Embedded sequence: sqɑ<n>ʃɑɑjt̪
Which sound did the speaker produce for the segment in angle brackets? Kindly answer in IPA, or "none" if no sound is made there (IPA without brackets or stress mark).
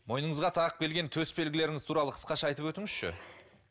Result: none